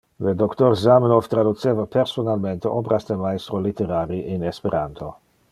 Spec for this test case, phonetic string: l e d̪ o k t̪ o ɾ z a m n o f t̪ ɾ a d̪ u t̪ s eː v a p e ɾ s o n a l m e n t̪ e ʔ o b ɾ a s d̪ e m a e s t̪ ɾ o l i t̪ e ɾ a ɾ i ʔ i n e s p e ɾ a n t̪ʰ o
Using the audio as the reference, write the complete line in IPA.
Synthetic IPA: l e d̪ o k t̪ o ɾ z a m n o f t̪ ɾ a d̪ u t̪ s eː v a p e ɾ s o n a l m e n t̪ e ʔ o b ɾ a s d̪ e m a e s t̪ ɾ o l i t̪ e ɾ a ɾ i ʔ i n e s p e ɾ a n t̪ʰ o